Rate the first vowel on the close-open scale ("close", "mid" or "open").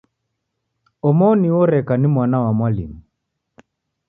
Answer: mid